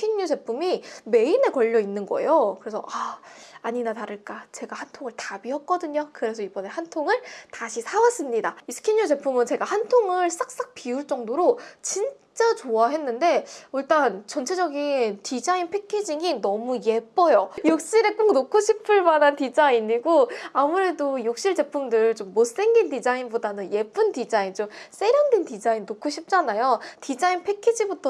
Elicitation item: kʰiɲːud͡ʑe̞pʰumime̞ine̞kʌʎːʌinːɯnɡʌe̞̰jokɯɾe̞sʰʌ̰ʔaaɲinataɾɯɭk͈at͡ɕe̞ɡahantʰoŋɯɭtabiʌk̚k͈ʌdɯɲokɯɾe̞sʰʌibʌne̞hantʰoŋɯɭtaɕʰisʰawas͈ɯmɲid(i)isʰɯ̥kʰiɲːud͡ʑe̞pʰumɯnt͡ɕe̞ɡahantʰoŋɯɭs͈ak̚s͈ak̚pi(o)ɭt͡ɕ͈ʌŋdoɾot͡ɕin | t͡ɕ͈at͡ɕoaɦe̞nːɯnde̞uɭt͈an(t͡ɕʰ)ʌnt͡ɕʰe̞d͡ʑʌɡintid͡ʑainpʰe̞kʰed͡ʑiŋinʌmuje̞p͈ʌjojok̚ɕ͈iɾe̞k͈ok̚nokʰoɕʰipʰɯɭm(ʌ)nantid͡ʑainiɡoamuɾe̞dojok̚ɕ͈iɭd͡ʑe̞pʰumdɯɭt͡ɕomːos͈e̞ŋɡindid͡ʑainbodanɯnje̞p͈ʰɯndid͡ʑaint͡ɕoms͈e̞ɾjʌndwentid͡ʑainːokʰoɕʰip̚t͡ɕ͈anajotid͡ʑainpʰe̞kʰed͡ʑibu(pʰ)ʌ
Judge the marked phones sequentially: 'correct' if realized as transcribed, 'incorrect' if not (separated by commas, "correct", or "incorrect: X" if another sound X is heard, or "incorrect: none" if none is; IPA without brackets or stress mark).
incorrect: a, incorrect: u, incorrect: t͡ɕ, incorrect: a, incorrect: tʰ